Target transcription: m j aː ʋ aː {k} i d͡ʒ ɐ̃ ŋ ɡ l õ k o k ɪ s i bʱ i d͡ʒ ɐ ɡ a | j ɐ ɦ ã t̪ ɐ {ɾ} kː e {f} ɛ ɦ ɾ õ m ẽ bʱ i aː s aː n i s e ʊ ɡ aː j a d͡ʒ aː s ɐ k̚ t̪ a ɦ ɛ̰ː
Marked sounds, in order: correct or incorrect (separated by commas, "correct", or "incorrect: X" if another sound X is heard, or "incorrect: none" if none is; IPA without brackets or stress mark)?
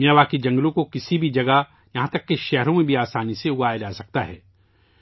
correct, incorrect: none, incorrect: ʃ